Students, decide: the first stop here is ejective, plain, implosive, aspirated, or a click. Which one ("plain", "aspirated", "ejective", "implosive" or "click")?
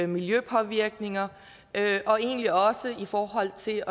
aspirated